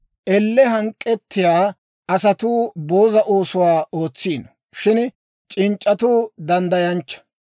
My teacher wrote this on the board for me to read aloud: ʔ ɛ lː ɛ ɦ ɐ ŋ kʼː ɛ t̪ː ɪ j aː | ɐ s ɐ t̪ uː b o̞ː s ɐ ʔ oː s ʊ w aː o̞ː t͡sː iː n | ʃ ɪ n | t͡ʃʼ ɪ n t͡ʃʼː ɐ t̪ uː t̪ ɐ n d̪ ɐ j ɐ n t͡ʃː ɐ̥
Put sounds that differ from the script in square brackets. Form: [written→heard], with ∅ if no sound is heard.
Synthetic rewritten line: ʔ ɛ lː ɛ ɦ ɐ ŋ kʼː ɛ t̪ː ɪ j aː | ɐ s ɐ t̪ uː b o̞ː [s→z] ɐ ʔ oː s ʊ w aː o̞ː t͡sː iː n | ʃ ɪ n | t͡ʃʼ ɪ n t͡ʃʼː ɐ t̪ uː [t̪→d̪] ɐ n d̪ ɐ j ɐ n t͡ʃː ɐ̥

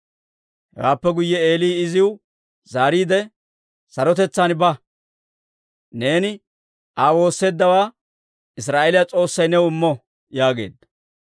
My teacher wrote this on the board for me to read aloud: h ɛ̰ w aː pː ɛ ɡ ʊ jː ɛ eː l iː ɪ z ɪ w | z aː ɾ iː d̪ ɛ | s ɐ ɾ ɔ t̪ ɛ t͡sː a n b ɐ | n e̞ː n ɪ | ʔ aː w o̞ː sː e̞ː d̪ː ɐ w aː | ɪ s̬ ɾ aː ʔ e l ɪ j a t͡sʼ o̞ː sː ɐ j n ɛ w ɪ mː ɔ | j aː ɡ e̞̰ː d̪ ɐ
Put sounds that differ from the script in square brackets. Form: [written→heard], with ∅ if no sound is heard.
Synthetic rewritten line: h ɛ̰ w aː pː ɛ ɡ ʊ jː ɛ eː l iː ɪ z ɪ w | z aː ɾ iː d̪ ɛ | s ɐ ɾ ɔ t̪ ɛ t͡sː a n b ɐ | n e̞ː n ɪ | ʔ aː w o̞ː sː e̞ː d̪ː ɐ w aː | ɪ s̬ ɾ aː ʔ e l ɪ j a t͡sʼ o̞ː sː ɐ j n ɛ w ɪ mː ɔ | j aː ɡ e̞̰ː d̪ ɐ

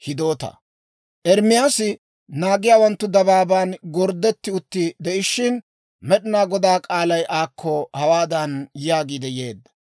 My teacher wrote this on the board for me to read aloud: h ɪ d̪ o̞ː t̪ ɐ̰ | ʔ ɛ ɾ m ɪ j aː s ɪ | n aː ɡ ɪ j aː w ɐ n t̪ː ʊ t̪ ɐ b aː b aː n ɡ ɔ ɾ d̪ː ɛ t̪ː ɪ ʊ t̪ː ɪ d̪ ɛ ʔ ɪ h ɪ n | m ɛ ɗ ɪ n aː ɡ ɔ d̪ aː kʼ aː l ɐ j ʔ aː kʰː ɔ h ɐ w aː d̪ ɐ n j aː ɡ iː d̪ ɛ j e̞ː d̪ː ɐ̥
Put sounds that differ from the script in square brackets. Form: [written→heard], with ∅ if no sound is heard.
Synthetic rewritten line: h ɪ d̪ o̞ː t̪ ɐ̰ | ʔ ɛ ɾ m ɪ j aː s ɪ | n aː ɡ ɪ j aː w ɐ n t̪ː ʊ [t̪→d̪] ɐ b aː b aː n ɡ ɔ ɾ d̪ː ɛ t̪ː ɪ ʊ t̪ː ɪ d̪ ɛ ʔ ɪ [h→ʃ] ɪ n | m ɛ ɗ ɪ n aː ɡ ɔ d̪ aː kʼ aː l ɐ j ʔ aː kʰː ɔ h ɐ w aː d̪ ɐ n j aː ɡ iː d̪ ɛ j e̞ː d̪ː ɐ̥

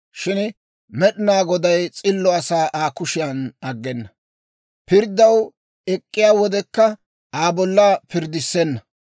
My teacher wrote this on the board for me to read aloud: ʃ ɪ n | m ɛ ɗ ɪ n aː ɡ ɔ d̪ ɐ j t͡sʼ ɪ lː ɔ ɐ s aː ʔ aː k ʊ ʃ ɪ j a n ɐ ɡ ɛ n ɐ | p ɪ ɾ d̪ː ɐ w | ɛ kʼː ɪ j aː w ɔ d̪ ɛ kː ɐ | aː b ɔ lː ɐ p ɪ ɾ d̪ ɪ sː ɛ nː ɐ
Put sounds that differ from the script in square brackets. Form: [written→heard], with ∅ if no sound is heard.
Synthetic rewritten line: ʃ ɪ n | m ɛ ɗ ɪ n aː ɡ ɔ d̪ ɐ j t͡sʼ ɪ lː ɔ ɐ s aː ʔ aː k ʊ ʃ ɪ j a n ɐ [ɡ→ɡː] ɛ [n→nː] ɐ | p ɪ ɾ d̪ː ɐ w | ɛ kʼː ɪ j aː w ɔ d̪ ɛ kː ɐ | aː b ɔ lː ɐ p ɪ ɾ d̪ ɪ sː ɛ nː ɐ

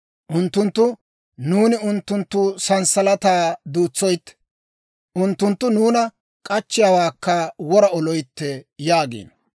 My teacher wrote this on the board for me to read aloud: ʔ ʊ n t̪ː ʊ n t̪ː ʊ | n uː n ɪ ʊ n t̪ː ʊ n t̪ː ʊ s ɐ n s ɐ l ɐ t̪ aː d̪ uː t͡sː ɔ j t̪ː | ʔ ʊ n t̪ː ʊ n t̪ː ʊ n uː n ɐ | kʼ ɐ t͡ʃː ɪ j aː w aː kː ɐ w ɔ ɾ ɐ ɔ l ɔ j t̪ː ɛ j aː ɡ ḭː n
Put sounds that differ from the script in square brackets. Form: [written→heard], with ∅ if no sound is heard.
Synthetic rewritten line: ʔ ʊ n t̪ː ʊ n t̪ː ʊ | n uː n ɪ ʊ n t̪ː ʊ n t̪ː ʊ s ɐ n s ɐ l ɐ t̪ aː d̪ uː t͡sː ɔ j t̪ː | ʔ ʊ n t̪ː ʊ n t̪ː ʊ n uː n ɐ | kʼ ɐ t͡ʃː ɪ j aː w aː kː ɐ w ɔ ɾ ɐ ɔ l ɔ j t̪ː ɛ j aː ɡ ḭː n

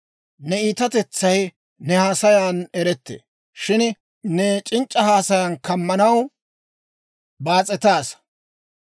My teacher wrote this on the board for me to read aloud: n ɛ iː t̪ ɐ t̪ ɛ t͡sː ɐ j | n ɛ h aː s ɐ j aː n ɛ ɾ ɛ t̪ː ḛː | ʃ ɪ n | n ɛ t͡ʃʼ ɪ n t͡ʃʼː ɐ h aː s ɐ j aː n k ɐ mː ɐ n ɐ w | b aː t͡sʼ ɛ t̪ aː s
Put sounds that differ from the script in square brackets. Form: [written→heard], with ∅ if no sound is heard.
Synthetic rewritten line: n ɛ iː t̪ ɐ t̪ ɛ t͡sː ɐ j | n ɛ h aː s ɐ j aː n ɛ ɾ ɛ t̪ː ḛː | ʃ ɪ n | n ɛ t͡ʃʼ ɪ n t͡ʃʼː ɐ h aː s ɐ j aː n k ɐ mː ɐ n ɐ w | b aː t͡sʼ ɛ t̪ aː s

